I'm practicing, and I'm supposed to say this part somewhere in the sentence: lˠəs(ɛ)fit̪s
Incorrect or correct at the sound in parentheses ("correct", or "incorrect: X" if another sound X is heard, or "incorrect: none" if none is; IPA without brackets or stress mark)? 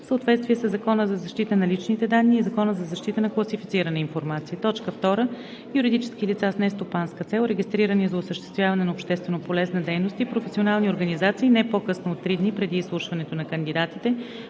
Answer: incorrect: i